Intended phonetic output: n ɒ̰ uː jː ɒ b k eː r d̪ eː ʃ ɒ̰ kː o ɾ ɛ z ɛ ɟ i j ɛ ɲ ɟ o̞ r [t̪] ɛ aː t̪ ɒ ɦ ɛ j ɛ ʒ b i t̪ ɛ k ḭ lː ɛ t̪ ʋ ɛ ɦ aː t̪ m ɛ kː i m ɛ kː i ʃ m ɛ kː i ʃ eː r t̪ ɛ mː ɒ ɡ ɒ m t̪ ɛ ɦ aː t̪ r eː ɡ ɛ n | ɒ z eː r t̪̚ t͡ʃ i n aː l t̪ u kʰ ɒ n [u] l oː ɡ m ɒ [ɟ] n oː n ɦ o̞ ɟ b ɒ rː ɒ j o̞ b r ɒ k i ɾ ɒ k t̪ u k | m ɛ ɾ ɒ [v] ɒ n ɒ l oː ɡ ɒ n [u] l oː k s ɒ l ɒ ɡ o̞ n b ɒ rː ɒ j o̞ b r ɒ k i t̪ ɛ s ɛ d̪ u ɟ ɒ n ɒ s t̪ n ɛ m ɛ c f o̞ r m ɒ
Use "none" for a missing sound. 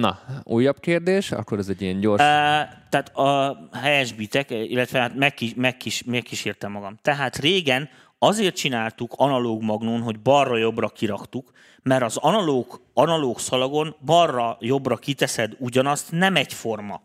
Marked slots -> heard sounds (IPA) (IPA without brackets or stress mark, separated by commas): t̪, ɒ, ɡ, z, ɒ